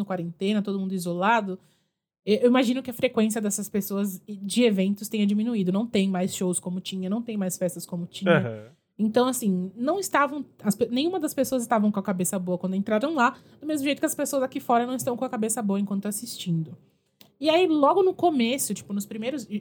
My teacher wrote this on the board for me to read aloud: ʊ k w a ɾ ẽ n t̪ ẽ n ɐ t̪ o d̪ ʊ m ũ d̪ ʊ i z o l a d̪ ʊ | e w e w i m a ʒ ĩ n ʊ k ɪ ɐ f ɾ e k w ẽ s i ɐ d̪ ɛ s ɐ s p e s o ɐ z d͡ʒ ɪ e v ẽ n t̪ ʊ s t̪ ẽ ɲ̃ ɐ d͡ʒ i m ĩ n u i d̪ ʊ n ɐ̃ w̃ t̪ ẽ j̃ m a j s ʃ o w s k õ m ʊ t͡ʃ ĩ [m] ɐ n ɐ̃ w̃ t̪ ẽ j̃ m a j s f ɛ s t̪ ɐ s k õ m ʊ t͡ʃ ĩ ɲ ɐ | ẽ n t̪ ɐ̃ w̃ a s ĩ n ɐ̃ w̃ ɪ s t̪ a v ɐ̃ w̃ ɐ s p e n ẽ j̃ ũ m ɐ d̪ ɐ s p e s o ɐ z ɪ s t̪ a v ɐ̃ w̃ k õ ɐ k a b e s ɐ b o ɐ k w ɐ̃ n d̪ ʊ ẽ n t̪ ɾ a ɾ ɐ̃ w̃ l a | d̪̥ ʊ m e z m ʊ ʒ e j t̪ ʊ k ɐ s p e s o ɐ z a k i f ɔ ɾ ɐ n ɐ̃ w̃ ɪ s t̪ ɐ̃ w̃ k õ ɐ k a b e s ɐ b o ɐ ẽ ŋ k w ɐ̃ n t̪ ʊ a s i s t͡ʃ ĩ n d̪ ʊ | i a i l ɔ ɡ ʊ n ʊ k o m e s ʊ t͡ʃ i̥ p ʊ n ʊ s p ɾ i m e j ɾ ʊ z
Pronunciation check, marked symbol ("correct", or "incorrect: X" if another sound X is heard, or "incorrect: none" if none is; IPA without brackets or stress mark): incorrect: ɲ